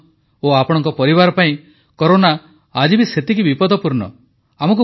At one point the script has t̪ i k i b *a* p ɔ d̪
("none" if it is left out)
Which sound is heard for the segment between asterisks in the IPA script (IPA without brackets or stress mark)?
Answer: i